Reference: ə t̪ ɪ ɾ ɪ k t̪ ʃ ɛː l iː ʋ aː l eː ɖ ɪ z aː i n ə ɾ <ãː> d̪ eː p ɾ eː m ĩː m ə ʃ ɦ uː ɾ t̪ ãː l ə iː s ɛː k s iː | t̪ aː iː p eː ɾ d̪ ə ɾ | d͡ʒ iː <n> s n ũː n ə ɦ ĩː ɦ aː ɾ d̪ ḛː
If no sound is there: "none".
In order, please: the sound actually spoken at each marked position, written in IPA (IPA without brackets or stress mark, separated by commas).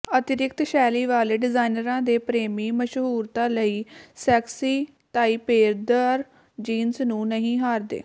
ãː, n